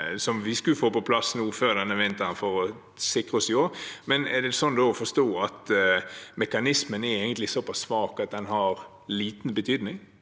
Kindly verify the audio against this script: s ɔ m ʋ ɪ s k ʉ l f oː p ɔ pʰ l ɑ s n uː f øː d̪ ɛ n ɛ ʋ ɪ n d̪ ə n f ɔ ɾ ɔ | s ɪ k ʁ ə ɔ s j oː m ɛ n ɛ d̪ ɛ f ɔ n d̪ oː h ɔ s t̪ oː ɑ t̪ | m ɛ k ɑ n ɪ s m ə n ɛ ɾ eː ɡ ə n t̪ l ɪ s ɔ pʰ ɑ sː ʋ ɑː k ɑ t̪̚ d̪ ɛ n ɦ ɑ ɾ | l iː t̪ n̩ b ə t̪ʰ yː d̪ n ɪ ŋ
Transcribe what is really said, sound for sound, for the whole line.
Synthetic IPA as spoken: s ɔ m ʋ ɪ s k ʉ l f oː p ɔ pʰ l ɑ s n uː f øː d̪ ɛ n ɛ ʋ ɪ n t̪ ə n f ɔ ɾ ɔ | s ɪ k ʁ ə ɔ s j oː m ɛ n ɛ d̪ ɛ s ɔ n d̪ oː f ɔ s t̪ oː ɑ t̪ | m ɛ k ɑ n ɪ s m ə n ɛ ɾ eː ɡ ə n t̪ l ɪ s ɔ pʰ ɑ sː ʋ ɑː k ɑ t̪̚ d̪ ɛ n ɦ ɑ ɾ | l iː t̪ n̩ b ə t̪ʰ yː d̪ n ɪ ŋ

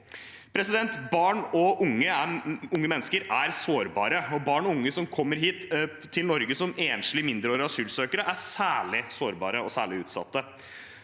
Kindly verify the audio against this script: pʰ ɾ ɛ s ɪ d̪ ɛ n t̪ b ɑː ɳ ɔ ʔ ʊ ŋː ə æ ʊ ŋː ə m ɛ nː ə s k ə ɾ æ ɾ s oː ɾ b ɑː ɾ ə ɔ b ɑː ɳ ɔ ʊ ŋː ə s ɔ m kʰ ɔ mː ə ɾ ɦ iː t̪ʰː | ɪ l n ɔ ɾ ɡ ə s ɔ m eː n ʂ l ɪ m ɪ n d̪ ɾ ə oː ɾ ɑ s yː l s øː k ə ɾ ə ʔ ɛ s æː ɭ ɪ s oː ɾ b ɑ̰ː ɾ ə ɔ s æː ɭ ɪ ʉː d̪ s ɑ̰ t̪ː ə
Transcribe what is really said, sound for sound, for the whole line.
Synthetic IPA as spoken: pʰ ɾ ɛ s ɪ d̪ ɛ n t̪ b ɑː ɳ ɔ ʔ ʊ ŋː ə æ ʊ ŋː ə m ɛ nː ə s k ə ɾ æ ɾ s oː ɾ b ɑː ɾ ə ɔ b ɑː ɳ ɔ ʊ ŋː ə s ɔ m kʰ ɔ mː ə ɾ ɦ iː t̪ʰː | ɪ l n ɔ ɾ ɡ ə s ɔ m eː n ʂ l ɪ m ɪ n d̪ ɾ ə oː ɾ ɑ s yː l s øː k ə ɾ ə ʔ æ s æː ɭ ɪ s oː ɾ b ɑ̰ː ɾ ə ɔ s æː ɭ ɪ ʉː t̪ s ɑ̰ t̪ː ə

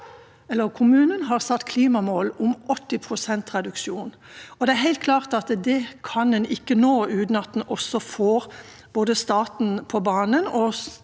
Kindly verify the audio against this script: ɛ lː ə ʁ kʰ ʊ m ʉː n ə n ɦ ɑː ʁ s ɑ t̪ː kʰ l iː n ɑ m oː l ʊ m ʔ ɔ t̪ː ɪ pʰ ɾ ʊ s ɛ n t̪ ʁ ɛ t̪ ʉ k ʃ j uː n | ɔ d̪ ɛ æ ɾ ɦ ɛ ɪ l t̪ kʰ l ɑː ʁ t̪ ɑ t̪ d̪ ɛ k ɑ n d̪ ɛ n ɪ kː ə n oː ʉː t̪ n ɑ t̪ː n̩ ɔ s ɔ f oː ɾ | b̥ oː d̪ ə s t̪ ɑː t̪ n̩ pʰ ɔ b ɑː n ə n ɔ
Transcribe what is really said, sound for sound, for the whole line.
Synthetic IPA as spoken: ɛ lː ə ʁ kʰ ʊ m ʉː n ə n ɦ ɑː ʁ s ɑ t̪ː kʰ l iː m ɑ m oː l ʊ m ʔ ɔ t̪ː ɪ pʰ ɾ ʊ s ɛ n t̪ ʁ ɛ d̪ ʉ k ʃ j uː n | ɔ d̪ ɛ æ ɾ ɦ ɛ ɪ l t̪ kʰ l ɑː ʁ t̪ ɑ t̪ d̪ ɛ kʰ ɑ n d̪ ɛ n ɪ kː ə n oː ʉː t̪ n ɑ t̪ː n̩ ɔ s ɔ f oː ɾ | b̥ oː d̪ ə s t̪ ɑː t̪ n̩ pʰ ɔ b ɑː n ə n ɔ

